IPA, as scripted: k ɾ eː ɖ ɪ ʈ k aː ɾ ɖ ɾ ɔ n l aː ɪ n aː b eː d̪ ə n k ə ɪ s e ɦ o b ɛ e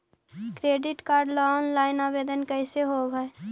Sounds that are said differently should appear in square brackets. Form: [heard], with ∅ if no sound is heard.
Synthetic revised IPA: k ɾ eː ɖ ɪ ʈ k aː ɾ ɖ [l] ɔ n l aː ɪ n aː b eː d̪ ə n k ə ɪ s e ɦ o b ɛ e